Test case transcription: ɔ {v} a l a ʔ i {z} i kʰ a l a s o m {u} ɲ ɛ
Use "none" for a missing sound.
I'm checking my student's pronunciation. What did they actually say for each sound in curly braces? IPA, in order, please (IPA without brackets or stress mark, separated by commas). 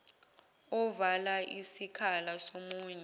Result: v, s, uː